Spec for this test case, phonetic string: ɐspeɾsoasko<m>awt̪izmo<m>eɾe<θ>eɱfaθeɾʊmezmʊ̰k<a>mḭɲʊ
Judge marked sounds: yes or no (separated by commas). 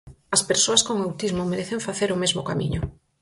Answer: no, yes, yes, yes